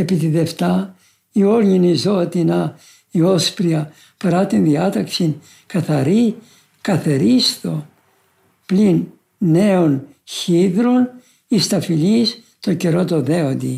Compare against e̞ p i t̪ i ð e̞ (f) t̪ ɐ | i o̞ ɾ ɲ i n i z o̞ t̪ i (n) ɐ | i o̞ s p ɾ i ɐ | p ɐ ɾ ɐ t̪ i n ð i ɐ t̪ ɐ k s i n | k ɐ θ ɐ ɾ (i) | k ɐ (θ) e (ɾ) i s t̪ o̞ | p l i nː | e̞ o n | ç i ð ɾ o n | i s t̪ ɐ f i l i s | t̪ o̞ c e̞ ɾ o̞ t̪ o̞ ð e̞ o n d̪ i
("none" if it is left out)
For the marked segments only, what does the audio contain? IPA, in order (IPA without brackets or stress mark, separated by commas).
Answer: f, n, i, θ, ɾ